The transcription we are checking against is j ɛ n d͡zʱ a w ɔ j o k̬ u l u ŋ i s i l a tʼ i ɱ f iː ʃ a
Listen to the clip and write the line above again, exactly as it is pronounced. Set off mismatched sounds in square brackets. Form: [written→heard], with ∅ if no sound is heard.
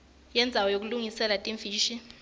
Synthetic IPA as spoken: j ɛ n d͡zʱ a w ɔ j o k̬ u l u ŋ i s [i→ɛ] l a tʼ i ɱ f iː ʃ [a→i]